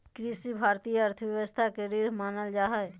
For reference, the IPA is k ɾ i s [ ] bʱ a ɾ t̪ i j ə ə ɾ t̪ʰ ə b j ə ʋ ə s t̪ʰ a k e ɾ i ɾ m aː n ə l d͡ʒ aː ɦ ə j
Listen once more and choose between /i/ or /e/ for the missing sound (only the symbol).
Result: i